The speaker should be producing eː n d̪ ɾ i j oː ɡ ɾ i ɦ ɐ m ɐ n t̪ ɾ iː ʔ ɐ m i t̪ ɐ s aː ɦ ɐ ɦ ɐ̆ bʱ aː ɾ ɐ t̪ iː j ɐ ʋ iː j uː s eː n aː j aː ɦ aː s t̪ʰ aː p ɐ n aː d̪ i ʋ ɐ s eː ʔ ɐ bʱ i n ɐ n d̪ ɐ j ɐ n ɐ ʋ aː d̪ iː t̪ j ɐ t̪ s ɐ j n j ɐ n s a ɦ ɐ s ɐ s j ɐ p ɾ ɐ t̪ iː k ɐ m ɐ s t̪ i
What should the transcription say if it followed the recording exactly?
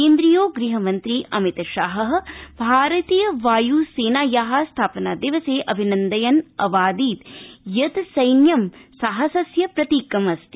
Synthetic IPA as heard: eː n d̪ ɾ i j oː ɡ ɾ i ɦ ɐ m ɐ n t̪ ɾ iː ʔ ɐ m i t̪ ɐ ʃ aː ɦ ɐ ɦ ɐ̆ bʱ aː ɾ ɐ t̪ iː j ɐ ʋ aː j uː s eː n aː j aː ɦ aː s t̪ʰ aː p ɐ n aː d̪ i ʋ ɐ s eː ʔ ɐ bʱ i n ɐ n d̪ ɐ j ɐ n ɐ ʋ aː d̪ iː t̪ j ɐ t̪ s ɐ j n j ɐ m s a ɦ ɐ s ɐ s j ɐ p ɾ ɐ t̪ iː k ɐ m ɐ s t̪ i